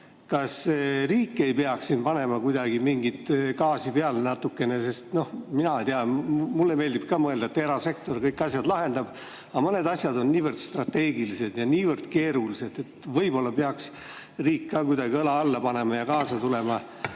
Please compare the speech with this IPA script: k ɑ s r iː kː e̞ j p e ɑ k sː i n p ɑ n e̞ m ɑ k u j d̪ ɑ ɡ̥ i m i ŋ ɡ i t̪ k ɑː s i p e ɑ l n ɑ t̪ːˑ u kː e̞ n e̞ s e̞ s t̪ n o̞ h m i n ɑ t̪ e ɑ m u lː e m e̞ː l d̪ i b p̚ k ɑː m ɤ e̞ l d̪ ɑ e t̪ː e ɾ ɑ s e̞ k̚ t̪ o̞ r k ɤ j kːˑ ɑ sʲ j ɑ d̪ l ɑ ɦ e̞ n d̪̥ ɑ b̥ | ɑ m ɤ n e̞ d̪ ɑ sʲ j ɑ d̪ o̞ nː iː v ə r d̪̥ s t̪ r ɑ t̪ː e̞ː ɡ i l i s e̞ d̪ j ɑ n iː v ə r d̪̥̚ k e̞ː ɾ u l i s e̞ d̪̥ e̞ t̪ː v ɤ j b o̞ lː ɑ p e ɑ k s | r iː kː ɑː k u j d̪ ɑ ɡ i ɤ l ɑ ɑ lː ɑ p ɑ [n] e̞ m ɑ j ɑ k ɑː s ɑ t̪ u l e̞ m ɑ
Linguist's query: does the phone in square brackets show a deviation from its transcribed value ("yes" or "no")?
no